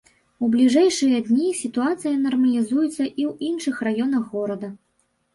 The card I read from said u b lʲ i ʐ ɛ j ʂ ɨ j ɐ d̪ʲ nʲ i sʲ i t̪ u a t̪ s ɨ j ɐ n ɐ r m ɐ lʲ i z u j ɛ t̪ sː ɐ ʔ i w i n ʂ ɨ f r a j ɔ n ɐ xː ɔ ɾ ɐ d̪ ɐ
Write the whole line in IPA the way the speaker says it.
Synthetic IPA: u b lʲ i ʐ ɛ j ʂ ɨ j ɐ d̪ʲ nʲ i sʲ i t̪ u a t̪ s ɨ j ɐ n ɐ r m ɐ lʲ i z u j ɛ t̪ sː ɐ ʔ i w i n ʂ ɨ x r a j ɔ n ɐ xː ɔ ɾ ɐ d̪ ɐ